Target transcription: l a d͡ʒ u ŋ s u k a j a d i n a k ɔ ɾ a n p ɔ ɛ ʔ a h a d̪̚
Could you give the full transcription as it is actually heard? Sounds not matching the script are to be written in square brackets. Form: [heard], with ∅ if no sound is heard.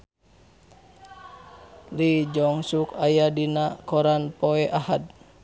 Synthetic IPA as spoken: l [i] d͡ʒ [ɔ] ŋ s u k a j a d i n a k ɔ ɾ a n p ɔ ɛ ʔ a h a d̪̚